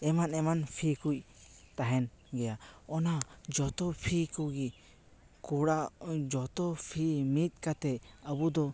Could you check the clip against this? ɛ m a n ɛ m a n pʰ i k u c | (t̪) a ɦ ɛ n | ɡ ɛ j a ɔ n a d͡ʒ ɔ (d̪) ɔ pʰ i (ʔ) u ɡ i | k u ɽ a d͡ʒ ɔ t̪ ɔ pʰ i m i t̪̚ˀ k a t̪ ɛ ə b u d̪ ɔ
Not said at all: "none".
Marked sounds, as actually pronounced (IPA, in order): t̪, t̪, k

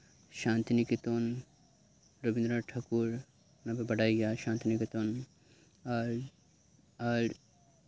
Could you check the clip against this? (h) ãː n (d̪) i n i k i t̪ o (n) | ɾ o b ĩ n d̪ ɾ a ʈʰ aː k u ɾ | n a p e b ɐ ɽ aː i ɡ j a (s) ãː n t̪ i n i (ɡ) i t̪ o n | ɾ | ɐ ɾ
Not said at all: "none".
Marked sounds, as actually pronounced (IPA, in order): ʃ, t̪, n, ʃ, k

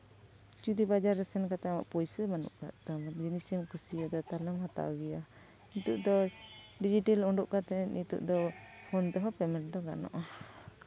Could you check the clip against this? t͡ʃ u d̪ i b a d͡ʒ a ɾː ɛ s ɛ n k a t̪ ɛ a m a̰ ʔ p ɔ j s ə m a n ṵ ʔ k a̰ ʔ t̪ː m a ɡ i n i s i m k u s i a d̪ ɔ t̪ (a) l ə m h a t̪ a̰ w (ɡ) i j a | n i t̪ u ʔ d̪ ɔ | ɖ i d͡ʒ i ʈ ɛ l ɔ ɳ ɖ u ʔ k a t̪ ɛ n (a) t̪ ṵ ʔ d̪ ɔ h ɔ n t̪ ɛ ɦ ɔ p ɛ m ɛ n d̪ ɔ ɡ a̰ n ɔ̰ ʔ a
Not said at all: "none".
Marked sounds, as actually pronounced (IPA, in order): a, ɡ, i

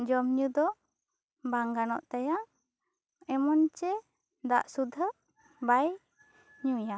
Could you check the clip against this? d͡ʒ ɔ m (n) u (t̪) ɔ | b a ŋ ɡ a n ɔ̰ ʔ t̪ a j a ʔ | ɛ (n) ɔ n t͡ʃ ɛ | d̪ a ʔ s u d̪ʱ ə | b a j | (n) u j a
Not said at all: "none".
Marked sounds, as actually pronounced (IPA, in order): ɲ, d̪, m, ɲ

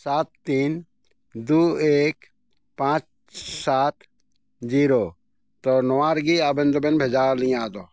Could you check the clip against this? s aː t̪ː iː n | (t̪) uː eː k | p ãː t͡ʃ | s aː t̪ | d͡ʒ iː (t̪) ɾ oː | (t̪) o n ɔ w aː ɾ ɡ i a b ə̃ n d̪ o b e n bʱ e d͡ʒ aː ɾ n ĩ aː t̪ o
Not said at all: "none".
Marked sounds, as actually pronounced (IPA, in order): d̪, none, t̪

